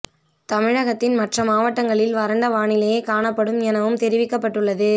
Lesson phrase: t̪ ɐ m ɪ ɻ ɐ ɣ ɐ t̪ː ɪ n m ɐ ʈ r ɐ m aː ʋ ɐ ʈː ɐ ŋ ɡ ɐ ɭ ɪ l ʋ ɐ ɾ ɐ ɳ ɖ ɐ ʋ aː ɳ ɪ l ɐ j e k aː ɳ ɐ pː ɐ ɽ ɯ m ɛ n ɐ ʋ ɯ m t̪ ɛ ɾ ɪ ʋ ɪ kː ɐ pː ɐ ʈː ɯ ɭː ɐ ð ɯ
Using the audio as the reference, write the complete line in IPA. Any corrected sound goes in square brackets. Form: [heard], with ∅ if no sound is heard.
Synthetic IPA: t̪ ɐ m ɪ ɻ ɐ ɣ ɐ t̪ː ɪ n m ɐ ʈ r ɐ m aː ʋ ɐ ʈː ɐ ŋ ɡ ɐ ɭ ɪ l ʋ ɐ ɾ ɐ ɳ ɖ ɐ ʋ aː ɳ ɪ l ɐ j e k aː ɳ ɐ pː ɐ ɽ ɯ m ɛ n ɐ ʋ ɯ m t̪ ɛ ɾ ɪ ʋ ɪ kː ɐ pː ɐ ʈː ɯ ɭː ɐ ð ɯ

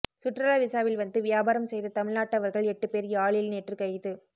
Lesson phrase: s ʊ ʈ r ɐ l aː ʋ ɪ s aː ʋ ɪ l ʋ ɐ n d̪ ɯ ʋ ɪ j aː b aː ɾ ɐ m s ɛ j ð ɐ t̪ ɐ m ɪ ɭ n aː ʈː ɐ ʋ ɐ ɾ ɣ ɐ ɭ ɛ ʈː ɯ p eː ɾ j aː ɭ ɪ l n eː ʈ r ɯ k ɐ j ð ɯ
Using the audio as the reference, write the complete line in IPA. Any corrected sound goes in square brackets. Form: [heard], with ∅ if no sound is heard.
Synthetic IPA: s ʊ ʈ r ɐ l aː ʋ ɪ s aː ʋ ɪ l ʋ ɐ n d̪ ɯ ʋ ɪ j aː b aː ɾ ɐ m s ɛ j ð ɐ t̪ ɐ m ɪ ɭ n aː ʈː ɐ ʋ ɐ ɾ ɣ ɐ ɭ ɛ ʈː ɯ p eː ɾ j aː ɭ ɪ l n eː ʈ r ɯ k ɐ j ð ɯ

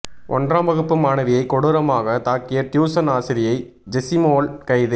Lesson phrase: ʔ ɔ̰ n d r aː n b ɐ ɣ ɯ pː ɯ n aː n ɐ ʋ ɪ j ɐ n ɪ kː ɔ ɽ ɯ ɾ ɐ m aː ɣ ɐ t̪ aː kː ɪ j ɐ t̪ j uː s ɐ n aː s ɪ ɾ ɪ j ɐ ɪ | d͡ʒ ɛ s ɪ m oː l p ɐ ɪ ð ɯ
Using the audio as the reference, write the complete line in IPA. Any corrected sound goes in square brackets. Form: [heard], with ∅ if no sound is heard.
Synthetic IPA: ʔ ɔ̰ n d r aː [m] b ɐ ɣ ɯ pː ɯ [m] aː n ɐ ʋ ɪ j ɐ [∅] ɪ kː ɔ ɽ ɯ ɾ ɐ m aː ɣ ɐ t̪ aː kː ɪ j ɐ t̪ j uː s ɐ n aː s ɪ ɾ ɪ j ɐ ɪ | d͡ʒ ɛ s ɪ m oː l [k] ɐ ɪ ð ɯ

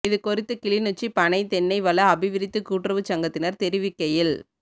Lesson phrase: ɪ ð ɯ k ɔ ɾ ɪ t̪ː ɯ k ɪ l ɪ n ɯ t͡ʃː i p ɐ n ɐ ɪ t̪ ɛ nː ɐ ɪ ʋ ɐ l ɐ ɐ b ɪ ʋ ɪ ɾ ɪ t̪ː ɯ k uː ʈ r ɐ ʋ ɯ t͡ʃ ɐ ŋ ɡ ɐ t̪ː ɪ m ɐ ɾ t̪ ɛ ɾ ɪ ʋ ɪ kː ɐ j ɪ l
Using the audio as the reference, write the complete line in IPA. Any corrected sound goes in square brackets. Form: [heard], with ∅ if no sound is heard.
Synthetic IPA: ɪ ð ɯ k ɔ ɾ ɪ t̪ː ɯ k ɪ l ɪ n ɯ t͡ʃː i p ɐ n ɐ ɪ t̪ ɛ nː ɐ ɪ ʋ ɐ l ɐ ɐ b ɪ ʋ ɪ ɾ ɪ t̪ː ɯ k uː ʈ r ɐ ʋ ɯ t͡ʃ ɐ ŋ ɡ ɐ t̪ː ɪ [n] ɐ ɾ t̪ ɛ ɾ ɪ ʋ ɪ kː ɐ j ɪ l

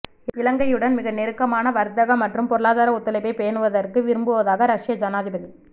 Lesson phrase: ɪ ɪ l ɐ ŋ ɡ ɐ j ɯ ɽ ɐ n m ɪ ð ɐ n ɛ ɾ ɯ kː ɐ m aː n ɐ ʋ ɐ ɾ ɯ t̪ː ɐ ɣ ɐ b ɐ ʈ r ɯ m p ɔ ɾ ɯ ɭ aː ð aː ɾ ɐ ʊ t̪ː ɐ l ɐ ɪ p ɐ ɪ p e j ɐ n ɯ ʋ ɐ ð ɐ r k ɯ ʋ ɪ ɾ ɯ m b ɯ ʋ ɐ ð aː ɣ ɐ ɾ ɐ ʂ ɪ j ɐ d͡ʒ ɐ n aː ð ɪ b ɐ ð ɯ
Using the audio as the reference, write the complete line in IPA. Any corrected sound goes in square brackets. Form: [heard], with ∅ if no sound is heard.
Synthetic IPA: ɪ ɪ l ɐ ŋ ɡ ɐ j ɯ ɽ ɐ n m ɪ [ɣ] ɐ n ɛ ɾ ɯ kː ɐ m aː n ɐ ʋ ɐ ɾ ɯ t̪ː ɐ ɣ ɐ [m] ɐ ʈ r ɯ m p ɔ ɾ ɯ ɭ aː ð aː ɾ ɐ ʊ t̪ː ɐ l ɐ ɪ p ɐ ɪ p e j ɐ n ɯ ʋ ɐ ð ɐ r k ɯ ʋ ɪ ɾ ɯ m b ɯ ʋ ɐ ð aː ɣ ɐ ɾ ɐ ʂ ɪ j ɐ d͡ʒ ɐ n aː ð ɪ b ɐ ð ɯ

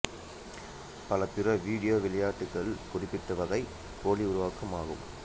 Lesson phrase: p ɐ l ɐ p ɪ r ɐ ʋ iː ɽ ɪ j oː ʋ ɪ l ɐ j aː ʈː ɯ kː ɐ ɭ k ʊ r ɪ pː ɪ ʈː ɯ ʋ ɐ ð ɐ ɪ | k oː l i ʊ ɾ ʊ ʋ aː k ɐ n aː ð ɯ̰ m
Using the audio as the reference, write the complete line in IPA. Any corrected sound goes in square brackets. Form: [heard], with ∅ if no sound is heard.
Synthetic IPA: p ɐ l ɐ p ɪ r ɐ ʋ iː ɽ ɪ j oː ʋ ɪ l ɐ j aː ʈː ɯ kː ɐ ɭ k ʊ r ɪ pː ɪ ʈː ɯ ʋ ɐ ð ɐ ɪ | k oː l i ʊ ɾ ʊ ʋ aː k ɐ [m] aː [ɣ] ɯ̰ m

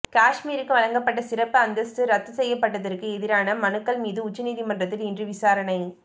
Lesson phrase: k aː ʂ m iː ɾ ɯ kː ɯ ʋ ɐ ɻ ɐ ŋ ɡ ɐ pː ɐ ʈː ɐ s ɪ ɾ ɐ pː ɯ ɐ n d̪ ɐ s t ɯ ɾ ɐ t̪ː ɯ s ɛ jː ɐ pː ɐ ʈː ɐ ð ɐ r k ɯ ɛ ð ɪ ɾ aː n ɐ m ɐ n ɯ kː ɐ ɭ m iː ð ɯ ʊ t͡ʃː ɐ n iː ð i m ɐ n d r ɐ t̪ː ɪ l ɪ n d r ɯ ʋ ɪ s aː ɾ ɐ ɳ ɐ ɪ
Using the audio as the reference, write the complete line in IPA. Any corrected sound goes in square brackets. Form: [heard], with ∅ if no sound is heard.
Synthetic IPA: k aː ʂ m iː ɾ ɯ kː ɯ ʋ ɐ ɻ ɐ ŋ ɡ ɐ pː ɐ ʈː ɐ s ɪ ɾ ɐ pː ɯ ɐ n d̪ ɐ s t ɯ ɾ ɐ t̪ː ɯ s ɛ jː ɐ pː ɐ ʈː ɐ ð ɐ r k ɯ ɛ ð ɪ ɾ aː n ɐ m ɐ n ɯ kː ɐ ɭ m iː ð ɯ ʊ t͡ʃː ɐ n iː ð i m ɐ n d r ɐ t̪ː ɪ l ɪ n d r ɯ ʋ ɪ s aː ɾ ɐ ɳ ɐ ɪ

